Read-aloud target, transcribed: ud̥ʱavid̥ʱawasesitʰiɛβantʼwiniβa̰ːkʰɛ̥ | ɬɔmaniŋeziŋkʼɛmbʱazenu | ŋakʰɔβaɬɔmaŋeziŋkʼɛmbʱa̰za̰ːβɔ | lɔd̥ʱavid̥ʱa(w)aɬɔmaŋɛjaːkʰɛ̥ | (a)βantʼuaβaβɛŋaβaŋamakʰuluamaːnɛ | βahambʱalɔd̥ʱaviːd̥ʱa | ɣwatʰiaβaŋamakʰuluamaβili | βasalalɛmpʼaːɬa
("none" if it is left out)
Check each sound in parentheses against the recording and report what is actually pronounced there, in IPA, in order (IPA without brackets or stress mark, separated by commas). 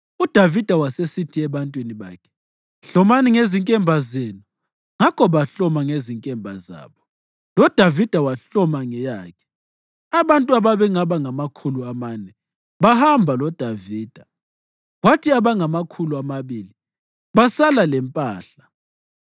w, a